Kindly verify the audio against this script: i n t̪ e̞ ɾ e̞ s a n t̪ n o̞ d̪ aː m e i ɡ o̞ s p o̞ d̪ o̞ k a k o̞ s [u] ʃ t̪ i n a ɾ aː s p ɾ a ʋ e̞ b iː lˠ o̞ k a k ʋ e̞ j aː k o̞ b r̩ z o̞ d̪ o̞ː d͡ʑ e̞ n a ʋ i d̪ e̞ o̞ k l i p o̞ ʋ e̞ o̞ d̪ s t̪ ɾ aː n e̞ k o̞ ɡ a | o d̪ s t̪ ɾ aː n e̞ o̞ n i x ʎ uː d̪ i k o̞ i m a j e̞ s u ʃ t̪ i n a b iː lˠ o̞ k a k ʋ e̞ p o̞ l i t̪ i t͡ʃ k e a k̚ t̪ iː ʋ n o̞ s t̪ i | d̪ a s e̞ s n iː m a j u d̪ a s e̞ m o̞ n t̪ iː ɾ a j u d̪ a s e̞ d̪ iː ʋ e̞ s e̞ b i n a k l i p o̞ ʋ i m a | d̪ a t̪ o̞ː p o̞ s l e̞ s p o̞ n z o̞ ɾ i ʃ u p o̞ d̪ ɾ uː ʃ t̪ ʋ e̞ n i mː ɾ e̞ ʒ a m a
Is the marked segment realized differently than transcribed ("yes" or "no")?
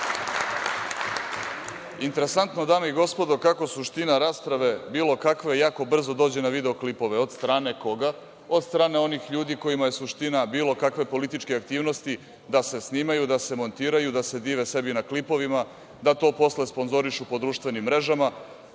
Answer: no